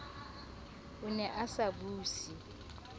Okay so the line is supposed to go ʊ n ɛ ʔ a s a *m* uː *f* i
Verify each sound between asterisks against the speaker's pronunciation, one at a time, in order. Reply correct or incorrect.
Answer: incorrect: b, incorrect: s

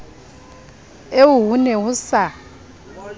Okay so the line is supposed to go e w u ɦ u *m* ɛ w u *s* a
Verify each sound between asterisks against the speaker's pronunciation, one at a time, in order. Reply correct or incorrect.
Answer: incorrect: n, correct

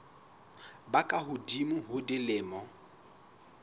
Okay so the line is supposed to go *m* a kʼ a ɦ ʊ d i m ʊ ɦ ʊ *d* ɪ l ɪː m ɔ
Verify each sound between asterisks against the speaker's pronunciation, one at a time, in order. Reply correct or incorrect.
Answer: incorrect: b, correct

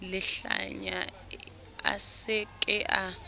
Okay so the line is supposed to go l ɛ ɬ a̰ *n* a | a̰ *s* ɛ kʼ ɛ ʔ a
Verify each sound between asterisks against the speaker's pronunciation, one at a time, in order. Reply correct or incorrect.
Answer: incorrect: ɲ, correct

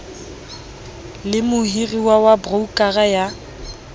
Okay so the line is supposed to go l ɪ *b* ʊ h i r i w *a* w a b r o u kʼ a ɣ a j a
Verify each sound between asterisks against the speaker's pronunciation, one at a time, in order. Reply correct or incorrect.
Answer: incorrect: m, correct

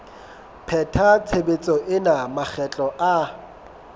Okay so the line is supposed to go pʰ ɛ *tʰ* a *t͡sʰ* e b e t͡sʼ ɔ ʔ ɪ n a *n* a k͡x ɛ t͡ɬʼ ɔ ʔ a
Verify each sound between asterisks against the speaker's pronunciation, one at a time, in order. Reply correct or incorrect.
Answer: correct, correct, incorrect: m

